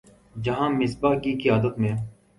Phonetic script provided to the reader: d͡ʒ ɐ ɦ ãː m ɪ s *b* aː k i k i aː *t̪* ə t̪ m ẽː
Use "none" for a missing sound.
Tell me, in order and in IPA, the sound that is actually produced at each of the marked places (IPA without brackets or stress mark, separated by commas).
b, d̪